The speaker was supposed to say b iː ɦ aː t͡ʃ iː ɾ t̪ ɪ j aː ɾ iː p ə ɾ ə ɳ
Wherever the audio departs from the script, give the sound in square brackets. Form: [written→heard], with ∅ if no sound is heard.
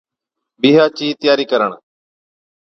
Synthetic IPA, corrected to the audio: b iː ɦ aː t͡ʃ iː [ɾ→∅] t̪ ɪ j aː ɾ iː [p→k] ə ɾ ə ɳ